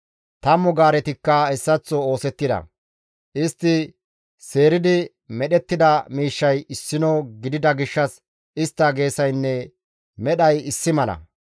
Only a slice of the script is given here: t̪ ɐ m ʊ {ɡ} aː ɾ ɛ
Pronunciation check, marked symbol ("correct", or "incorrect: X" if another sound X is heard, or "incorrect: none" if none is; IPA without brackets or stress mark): correct